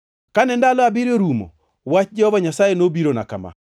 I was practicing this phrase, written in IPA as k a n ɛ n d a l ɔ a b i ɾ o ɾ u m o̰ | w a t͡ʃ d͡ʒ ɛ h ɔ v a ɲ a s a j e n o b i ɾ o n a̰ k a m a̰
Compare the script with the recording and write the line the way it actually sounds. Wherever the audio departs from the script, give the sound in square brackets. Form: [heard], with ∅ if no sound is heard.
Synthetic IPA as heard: k a n ɛ n d a l ɔ a b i ɾ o ɾ u m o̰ | w a t͡ʃ d͡ʒ ɛ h ɔ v a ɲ a s a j e n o b i ɾ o n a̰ k a m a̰